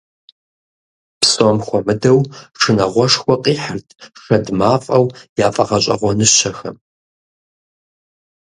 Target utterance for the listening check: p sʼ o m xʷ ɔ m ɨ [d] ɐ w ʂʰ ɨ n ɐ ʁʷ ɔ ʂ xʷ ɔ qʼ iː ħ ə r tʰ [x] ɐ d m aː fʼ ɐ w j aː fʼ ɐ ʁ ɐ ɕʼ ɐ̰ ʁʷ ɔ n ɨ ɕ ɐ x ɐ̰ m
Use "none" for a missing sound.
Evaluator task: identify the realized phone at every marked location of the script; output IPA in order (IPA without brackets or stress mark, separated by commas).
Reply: d, ʂ